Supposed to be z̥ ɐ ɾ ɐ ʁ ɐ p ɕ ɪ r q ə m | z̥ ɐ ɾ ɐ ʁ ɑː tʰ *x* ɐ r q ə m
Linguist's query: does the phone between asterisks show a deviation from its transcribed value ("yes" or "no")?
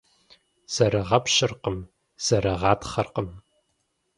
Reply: yes